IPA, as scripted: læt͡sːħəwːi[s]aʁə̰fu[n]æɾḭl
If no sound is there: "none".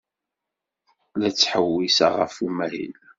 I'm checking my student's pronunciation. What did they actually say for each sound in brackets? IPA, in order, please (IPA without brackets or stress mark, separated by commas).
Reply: s, m